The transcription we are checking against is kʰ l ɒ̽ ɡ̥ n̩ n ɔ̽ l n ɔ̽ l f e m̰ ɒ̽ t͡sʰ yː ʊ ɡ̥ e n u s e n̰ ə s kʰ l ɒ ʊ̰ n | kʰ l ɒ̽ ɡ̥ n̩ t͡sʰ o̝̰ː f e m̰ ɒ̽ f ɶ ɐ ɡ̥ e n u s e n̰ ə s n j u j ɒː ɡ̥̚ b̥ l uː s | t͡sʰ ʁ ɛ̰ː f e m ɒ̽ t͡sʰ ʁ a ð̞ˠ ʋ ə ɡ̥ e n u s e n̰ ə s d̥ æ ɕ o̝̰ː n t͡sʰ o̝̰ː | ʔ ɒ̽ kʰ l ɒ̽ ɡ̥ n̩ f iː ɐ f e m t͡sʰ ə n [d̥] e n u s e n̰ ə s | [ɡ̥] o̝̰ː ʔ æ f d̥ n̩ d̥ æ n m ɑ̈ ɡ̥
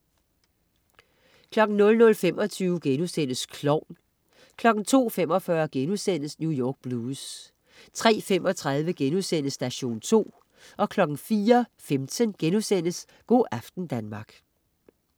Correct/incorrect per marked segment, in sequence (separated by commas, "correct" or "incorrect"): incorrect, correct